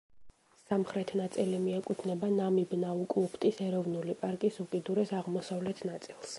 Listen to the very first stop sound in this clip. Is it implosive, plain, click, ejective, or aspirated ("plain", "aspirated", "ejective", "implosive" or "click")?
aspirated